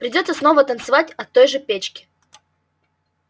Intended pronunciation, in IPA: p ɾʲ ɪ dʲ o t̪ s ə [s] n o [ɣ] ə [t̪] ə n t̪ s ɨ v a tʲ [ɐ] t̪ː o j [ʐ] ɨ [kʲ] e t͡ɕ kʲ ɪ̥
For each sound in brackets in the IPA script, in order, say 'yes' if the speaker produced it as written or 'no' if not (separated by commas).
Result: yes, no, yes, yes, yes, no